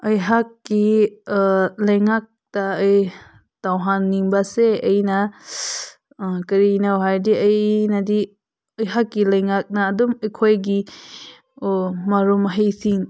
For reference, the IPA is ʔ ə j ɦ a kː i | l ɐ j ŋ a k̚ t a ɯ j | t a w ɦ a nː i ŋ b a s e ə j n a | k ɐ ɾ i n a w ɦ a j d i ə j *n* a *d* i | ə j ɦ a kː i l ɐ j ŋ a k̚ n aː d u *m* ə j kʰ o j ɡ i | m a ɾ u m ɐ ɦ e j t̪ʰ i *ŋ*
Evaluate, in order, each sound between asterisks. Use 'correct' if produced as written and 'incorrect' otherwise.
correct, correct, correct, correct

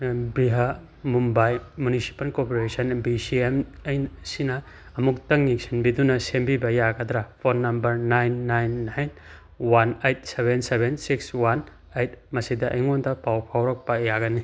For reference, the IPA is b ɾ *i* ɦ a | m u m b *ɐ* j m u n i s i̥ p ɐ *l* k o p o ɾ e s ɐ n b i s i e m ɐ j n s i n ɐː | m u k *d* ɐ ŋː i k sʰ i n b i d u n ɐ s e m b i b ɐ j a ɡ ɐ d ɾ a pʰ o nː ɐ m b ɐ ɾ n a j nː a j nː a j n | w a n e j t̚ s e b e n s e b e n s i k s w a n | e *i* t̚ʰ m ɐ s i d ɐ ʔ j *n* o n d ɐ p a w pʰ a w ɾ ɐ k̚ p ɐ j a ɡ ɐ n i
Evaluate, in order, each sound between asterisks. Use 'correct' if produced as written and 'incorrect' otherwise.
correct, incorrect: a, correct, incorrect: t, incorrect: j, incorrect: ŋ

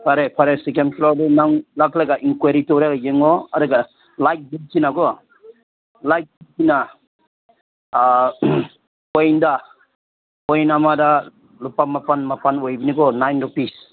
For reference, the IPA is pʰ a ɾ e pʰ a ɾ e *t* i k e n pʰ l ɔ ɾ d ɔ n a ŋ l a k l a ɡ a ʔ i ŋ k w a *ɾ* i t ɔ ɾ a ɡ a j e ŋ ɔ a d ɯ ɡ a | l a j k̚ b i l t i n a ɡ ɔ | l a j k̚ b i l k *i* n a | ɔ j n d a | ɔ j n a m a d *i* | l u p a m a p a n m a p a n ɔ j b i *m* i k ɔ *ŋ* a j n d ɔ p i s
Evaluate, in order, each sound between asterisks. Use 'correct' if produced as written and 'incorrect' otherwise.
incorrect: s, correct, correct, incorrect: a, incorrect: n, incorrect: n

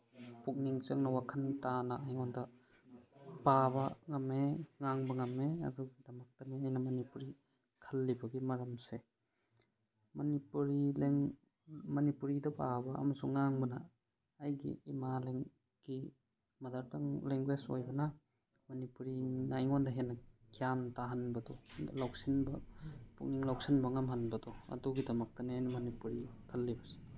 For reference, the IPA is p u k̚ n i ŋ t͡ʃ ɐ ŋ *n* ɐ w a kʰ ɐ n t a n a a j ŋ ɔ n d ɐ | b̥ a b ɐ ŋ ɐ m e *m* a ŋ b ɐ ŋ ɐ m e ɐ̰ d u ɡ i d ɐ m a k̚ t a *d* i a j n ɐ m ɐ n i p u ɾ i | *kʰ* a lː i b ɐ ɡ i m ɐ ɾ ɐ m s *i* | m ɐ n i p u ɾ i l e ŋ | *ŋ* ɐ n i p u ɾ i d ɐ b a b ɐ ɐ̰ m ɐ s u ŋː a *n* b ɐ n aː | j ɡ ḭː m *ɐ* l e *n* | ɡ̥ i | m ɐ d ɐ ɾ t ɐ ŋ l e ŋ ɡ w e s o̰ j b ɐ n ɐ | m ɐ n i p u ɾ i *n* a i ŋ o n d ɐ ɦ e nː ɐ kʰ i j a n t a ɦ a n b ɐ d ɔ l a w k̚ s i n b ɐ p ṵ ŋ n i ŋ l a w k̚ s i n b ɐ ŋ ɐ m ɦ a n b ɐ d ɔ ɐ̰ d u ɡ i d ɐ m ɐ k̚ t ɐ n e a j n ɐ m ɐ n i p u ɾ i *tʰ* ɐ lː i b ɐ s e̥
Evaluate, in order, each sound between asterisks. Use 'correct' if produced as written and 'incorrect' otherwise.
correct, incorrect: ŋ, incorrect: n, correct, incorrect: e, incorrect: m, incorrect: ŋ, incorrect: a, incorrect: ŋ, correct, incorrect: kʰ

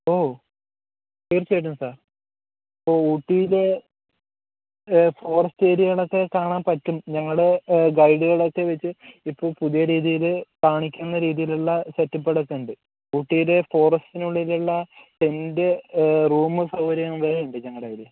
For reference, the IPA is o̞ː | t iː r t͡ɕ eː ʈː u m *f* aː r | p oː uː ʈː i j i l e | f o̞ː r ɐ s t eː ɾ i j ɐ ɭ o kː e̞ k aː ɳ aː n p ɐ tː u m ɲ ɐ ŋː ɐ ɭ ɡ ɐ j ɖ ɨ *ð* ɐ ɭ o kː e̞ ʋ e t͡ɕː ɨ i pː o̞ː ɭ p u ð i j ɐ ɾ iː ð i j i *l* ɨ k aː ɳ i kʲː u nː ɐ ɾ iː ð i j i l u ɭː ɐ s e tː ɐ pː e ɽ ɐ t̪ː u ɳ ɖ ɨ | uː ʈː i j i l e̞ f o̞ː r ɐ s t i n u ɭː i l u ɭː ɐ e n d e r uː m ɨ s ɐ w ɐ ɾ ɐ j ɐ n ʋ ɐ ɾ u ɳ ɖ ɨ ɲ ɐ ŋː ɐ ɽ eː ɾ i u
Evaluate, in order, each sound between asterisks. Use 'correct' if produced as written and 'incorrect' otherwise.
incorrect: s, incorrect: ɣ, correct

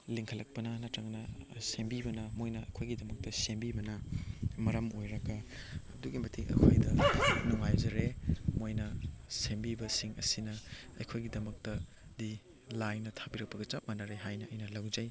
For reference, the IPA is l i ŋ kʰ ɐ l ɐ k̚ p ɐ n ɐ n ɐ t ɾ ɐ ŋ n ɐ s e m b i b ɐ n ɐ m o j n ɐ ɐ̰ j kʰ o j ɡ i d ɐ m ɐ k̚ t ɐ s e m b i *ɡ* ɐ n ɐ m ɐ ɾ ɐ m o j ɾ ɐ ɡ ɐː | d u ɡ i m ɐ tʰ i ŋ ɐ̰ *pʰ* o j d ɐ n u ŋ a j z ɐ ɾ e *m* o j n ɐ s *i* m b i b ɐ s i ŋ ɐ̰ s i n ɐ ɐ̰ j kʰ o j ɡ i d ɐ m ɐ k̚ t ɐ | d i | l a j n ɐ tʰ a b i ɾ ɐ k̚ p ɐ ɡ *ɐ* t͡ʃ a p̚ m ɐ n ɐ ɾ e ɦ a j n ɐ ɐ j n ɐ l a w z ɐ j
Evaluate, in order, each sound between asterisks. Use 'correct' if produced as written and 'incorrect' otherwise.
incorrect: b, incorrect: kʰ, correct, incorrect: e, correct

